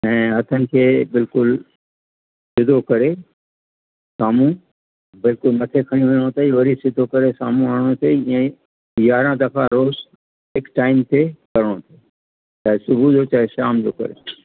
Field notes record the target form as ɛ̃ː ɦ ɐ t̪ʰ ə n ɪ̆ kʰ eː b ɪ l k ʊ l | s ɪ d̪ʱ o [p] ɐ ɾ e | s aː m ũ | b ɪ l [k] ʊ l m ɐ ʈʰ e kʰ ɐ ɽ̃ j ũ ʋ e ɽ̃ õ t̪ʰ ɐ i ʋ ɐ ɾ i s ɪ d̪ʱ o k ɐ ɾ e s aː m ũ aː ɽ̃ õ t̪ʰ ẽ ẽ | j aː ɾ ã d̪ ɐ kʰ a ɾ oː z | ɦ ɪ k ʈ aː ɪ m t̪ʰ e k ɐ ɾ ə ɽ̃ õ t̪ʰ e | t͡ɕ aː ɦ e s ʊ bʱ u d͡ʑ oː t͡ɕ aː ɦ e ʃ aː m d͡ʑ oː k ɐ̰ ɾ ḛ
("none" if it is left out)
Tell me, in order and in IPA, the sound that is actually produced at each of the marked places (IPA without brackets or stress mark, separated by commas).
k, k